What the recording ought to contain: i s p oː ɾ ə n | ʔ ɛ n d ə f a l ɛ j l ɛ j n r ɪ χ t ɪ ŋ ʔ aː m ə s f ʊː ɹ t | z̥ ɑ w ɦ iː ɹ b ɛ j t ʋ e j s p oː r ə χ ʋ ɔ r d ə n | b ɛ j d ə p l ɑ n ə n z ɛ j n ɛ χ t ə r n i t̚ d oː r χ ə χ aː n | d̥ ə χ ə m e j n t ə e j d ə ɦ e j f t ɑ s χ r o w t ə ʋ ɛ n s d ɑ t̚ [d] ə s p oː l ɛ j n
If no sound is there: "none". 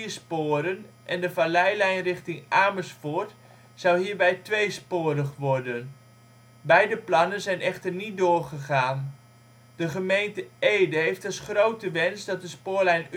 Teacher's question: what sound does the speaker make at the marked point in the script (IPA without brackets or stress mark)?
d